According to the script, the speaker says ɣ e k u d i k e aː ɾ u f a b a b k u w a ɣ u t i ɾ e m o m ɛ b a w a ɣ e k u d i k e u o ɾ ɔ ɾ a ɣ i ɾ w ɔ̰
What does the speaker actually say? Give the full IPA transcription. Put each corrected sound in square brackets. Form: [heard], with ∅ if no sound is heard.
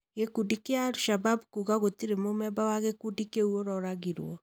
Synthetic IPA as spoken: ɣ e k u d i k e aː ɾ u [ʃ] a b a b k u [ɣ] a ɣ [o] t i ɾ e m o m ɛ b a w a ɣ e k u d i k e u o ɾ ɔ ɾ a ɣ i ɾ w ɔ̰